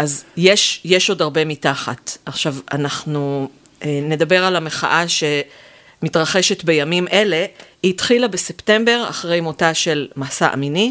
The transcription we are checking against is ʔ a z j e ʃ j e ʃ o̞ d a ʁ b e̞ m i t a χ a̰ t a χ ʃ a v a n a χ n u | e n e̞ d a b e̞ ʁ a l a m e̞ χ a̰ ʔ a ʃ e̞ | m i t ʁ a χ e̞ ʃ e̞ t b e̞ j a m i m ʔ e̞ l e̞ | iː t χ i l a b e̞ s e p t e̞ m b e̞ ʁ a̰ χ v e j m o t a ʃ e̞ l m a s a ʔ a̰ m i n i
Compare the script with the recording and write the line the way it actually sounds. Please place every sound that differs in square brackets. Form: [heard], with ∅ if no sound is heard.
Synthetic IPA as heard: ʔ a z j e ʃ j e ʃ o̞ d a ʁ b e̞ m i t a χ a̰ t a χ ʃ a v a n a χ n u | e n e̞ d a b e̞ ʁ a l a m e̞ χ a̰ ʔ a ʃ e̞ | m i t ʁ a χ e̞ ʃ e̞ t b e̞ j a m i m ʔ e̞ l e̞ | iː t χ i l a b e̞ s e p t e̞ m b e̞ ʁ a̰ χ [ʁ] e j m o t a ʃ e̞ l m a s a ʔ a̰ m i n i